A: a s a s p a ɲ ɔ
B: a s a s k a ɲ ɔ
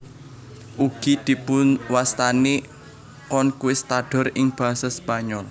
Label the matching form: A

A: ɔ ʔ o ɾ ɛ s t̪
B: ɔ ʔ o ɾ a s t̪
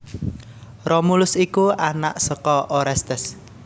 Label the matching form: A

